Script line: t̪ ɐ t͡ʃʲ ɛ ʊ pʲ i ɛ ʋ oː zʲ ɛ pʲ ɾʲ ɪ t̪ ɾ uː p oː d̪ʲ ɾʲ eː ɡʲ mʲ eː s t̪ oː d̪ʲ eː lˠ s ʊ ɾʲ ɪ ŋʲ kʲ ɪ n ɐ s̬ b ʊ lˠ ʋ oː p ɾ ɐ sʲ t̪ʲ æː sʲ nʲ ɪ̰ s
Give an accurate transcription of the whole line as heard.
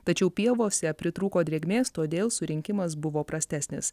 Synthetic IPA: t̪ ɐ t͡ʃʲ ɛ ʊ pʲ i ɛ ʋ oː sʲ ɛ pʲ ɾʲ ɪ t̪ ɾ uː k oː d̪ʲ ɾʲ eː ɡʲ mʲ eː s t̪ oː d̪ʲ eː lˠ s ʊ ɾʲ ɪ ŋʲ kʲ ɪ m ɐ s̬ b ʊ ʋ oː p ɾ ɐ sʲ t̪ʲ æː sʲ nʲ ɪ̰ s

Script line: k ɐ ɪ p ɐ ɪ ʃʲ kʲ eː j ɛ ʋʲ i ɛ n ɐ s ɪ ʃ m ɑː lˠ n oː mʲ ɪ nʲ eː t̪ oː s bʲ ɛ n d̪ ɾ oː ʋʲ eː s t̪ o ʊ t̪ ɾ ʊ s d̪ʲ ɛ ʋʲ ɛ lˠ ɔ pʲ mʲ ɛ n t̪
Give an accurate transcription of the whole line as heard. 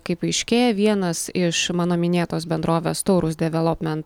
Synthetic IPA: k ɐ ɪ p ɐ ɪ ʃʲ kʲ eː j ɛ ʋʲ i ɛ n ɐ s ɪ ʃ m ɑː n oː mʲ ɪ nʲ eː t̪ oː s bʲ ɛ n d̪ ɾ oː ʋʲ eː s t̪ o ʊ ɾ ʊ s d̪ʲ ɛ ʋʲ ɛ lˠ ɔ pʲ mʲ ɛ n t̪

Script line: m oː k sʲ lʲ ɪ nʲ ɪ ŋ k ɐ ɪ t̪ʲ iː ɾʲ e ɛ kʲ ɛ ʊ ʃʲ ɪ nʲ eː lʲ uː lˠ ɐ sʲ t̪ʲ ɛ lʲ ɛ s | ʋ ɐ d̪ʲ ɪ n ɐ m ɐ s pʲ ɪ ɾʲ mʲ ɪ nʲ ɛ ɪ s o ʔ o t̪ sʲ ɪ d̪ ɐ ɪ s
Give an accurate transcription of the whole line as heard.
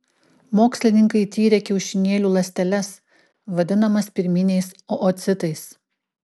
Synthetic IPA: m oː k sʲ lʲ ɪ nʲ ɪ ŋ k ɐ ɪ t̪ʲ iː ɾʲ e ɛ kʲ ɛ ʊ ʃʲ ɪ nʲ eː lʲ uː lˠ ɐ sʲ t̪ʲ ɛ lʲ ɛ s | ʋ ɐ d̪ʲ ɪ n ɐ m ɐ s pʲ ɪ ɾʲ mʲ ɪ nʲ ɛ ɪ s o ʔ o t̪ sʲ ɪ t̪ ɐ ɪ s

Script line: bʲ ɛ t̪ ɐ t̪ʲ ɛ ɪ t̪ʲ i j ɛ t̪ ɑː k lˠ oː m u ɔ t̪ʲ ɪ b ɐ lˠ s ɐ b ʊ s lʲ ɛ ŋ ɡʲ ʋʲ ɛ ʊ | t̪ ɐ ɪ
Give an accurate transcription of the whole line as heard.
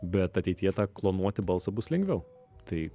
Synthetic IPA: bʲ ɛ t̪ ɐ t̪ʲ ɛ ɪ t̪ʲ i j ɛ t̪ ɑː k lˠ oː n u ɔ t̪ʲ ɪ b ɐ lˠ s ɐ b ʊ s lʲ ɛ ŋ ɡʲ ʋʲ ɛ ʊ | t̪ ɐ ɪ

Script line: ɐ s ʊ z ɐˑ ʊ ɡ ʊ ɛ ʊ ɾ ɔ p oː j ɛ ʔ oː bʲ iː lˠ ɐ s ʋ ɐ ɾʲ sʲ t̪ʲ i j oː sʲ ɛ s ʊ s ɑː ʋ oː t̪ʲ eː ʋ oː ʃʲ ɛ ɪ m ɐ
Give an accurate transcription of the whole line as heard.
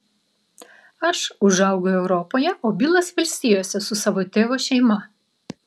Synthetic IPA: ɐ ʃ ʊ ʒ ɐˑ ʊ ɡ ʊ ɛ ʊ ɾ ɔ p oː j ɛ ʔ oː bʲ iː lˠ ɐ s ʋ ɐ lʲ sʲ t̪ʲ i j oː sʲ ɛ s ʊ s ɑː ʋ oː t̪ʲ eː ʋ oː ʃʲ ɛ ɪ m ɐ

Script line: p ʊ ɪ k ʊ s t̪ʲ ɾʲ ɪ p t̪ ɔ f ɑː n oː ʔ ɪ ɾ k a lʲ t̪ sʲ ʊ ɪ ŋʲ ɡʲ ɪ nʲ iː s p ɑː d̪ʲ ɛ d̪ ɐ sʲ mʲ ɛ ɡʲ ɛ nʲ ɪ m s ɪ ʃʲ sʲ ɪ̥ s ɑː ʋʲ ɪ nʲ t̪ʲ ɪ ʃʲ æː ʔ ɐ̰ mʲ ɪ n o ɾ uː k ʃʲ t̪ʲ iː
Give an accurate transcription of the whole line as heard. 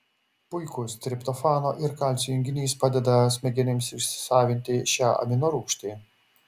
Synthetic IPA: p ʊ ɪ k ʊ s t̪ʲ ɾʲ ɪ p t̪ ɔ f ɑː n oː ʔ ɪ ɾ k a lʲ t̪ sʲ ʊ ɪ ŋʲ ɡʲ ɪ nʲ iː s p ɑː d̪ʲ ɛ d̪ ɐ sʲ mʲ ɛ ɡʲ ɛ nʲ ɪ m s ɪ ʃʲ sʲ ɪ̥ s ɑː ʋʲ ɪ nʲ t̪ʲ ɪ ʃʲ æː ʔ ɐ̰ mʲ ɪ n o ɾ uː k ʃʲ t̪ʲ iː

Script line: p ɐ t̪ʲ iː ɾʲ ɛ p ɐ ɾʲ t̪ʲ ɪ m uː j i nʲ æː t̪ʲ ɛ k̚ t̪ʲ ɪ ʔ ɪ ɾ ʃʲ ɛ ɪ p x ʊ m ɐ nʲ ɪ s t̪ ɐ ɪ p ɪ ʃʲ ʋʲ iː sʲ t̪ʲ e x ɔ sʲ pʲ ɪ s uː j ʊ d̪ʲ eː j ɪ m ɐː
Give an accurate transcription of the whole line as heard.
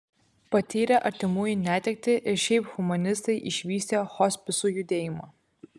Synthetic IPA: p ɐ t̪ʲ iː ɾʲ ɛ ʔ ɐ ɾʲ t̪ʲ ɪ m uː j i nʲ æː t̪ʲ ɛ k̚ t̪ʲ ɪ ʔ ɪ ɾ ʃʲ ɛ ɪ p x ʊ m ɐ nʲ ɪ s t̪ ɐ ɪ ʔ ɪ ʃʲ ʋʲ iː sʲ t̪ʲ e x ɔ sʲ pʲ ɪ s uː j ʊ d̪ʲ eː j ɪ m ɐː

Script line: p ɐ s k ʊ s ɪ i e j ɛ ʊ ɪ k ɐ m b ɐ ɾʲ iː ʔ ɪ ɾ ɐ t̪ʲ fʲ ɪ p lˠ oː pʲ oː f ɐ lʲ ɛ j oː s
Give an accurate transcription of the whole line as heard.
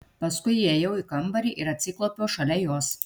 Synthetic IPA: p ɐ s k ʊ ɪ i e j ɛ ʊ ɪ k ɐ m b ɐ ɾʲ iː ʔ ɪ ɾ ɐ t̪ʲ sʲ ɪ k lˠ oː pʲ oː ʃ ɐ lʲ ɛ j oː s

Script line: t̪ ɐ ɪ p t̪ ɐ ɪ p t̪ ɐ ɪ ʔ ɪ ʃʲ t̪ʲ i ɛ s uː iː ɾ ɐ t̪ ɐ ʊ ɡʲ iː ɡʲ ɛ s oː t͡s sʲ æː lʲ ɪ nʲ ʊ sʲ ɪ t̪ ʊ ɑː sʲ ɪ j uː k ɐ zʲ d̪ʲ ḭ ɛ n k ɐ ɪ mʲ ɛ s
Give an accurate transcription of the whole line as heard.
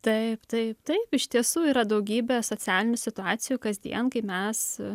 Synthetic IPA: t̪ ɐ ɪ p t̪ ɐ ɪ p t̪ ɐ ɪ p ɪ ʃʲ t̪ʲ i ɛ s uː iː ɾ ɐ d̪ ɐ ʊ ɡʲ iː bʲ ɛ s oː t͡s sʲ æː lʲ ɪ nʲ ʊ sʲ ɪ t̪ ʊ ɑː sʲ ɪ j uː k ɐ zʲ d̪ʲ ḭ ɛ n k ɐ ɪ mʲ ɛ s

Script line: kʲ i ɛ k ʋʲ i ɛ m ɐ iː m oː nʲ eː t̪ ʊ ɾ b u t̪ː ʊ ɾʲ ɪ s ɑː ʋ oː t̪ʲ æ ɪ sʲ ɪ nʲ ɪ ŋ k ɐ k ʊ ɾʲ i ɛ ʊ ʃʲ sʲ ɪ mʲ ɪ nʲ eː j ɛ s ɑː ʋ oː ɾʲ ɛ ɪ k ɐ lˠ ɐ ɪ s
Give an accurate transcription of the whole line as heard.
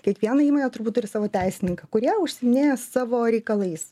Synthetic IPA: kʲ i ɛ k ʋʲ i ɛ n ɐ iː m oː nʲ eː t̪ ʊ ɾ b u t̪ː ʊ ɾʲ ɪ s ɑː ʋ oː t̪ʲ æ ɪ sʲ ɪ nʲ ɪ ŋ k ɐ k ʊ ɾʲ i ɛ ʊ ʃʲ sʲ ɪ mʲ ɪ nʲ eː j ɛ s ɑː ʋ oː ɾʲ ɛ ɪ k ɐ lˠ ɐ ɪ s

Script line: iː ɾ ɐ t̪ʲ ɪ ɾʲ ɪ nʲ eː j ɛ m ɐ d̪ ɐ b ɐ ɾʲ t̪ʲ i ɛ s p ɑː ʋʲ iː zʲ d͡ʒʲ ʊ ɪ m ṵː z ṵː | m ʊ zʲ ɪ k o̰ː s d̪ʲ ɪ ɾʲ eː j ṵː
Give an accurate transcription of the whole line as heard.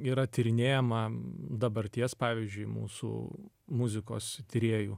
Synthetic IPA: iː ɾ ɐ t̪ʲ ɪ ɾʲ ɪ nʲ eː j ɛ m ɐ d̪ ɐ b ɐ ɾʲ t̪ʲ i ɛ s p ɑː ʋʲ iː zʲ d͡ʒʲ ʊ ɪ m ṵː s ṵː | m ʊ zʲ ɪ k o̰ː s t̪ʲ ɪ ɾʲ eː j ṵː

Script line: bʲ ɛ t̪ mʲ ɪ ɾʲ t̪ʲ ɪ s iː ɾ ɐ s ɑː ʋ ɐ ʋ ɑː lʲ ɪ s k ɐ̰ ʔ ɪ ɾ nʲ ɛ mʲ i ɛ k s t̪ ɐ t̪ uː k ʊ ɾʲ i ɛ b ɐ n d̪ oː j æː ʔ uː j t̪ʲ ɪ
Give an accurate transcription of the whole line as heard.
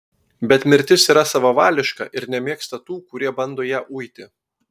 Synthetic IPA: bʲ ɛ t̪ mʲ ɪ ɾʲ t̪ʲ ɪ s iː ɾ ɐ s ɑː ʋ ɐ ʋ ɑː lʲ ɪ ʃ k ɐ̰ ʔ ɪ ɾ nʲ ɛ mʲ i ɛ k s t̪ ɐ t̪ uː k ʊ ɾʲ i ɛ b ɐ n d̪ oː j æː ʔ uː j t̪ʲ ɪ

